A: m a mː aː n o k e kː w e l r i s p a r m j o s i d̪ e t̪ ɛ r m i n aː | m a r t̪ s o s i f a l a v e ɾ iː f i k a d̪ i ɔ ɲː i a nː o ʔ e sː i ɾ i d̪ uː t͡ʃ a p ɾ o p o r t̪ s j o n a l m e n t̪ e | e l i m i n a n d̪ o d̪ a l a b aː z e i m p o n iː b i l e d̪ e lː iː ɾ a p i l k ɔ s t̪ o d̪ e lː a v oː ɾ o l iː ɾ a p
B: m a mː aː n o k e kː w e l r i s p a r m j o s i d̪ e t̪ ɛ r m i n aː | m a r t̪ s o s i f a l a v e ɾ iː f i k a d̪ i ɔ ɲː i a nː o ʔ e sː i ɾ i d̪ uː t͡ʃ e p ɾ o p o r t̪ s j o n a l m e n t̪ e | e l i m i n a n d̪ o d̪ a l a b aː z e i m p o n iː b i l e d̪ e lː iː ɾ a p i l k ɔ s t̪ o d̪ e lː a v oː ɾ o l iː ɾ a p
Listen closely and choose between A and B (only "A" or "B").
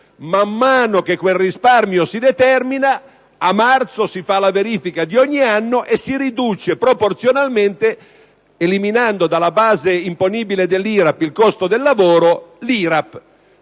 B